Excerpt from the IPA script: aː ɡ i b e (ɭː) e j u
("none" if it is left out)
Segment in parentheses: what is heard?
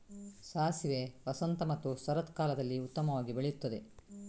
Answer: ɭ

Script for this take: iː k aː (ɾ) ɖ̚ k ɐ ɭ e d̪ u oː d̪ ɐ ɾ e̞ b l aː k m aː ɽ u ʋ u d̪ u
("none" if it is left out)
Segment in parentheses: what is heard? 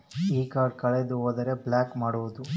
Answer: ɾ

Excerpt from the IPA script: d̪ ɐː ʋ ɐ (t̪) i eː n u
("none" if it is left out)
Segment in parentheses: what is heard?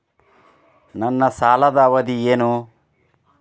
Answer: d̪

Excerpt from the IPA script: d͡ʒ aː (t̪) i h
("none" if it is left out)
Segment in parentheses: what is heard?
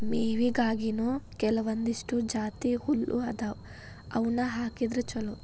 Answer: t̪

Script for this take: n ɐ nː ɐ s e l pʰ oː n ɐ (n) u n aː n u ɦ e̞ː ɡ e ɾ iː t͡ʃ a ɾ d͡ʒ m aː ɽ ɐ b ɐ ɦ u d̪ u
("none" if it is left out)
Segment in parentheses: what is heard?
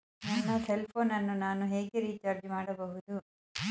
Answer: nː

